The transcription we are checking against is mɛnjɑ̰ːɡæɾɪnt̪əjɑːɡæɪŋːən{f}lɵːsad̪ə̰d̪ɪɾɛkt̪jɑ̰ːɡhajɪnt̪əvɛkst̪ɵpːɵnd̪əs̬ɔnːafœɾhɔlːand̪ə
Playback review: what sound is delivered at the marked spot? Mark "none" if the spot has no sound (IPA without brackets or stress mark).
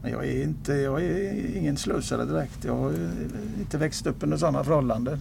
s